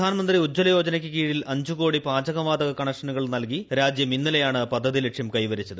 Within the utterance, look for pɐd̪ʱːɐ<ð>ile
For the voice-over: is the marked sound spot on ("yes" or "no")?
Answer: yes